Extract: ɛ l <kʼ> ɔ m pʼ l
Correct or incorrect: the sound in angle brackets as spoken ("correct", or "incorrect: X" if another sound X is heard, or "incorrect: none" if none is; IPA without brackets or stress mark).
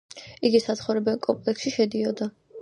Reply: correct